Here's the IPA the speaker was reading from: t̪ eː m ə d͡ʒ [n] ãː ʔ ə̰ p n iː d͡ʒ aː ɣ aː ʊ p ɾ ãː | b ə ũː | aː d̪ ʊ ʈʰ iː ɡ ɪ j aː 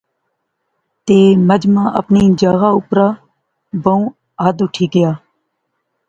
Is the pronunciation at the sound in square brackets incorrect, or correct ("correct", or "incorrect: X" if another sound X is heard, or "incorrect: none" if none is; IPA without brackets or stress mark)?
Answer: incorrect: m